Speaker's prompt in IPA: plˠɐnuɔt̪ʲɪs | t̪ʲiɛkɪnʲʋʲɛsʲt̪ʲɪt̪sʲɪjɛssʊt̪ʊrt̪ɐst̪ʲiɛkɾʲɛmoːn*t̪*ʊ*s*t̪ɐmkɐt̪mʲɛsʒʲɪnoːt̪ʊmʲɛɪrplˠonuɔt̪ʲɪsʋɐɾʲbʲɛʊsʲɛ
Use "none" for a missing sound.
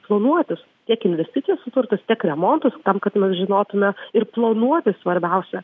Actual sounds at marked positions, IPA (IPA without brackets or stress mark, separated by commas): t̪, s